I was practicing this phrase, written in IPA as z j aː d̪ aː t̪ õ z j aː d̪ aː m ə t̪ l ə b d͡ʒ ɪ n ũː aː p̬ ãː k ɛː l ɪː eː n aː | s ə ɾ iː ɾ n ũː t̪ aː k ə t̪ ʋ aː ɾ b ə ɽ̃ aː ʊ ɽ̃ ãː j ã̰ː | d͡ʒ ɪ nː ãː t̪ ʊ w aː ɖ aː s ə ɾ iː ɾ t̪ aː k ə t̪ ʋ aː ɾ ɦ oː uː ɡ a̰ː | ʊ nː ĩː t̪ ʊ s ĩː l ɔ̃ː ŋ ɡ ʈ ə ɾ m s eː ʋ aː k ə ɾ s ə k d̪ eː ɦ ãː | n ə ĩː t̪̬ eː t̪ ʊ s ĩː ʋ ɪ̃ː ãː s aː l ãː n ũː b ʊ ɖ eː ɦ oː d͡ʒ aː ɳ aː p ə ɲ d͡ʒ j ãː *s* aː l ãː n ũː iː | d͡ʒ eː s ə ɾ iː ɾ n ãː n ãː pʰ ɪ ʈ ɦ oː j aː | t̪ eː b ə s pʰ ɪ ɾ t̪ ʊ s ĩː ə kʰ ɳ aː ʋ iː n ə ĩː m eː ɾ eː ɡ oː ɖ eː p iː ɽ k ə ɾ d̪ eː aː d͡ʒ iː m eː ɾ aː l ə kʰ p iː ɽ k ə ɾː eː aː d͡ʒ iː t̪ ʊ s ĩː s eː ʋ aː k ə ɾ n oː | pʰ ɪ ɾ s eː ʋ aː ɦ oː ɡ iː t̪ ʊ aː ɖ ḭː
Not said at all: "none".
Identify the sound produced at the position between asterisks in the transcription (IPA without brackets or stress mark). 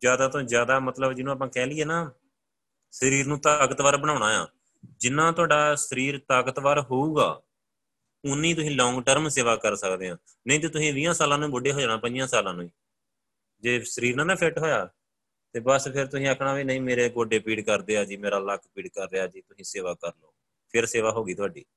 s